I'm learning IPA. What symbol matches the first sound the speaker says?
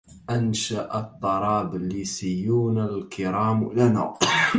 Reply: ʔ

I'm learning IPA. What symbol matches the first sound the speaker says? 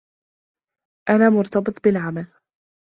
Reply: ʔ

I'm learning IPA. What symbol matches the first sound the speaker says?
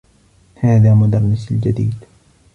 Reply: h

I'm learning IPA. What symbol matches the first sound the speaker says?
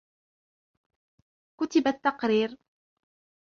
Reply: k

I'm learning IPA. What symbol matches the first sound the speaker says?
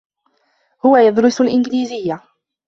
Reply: h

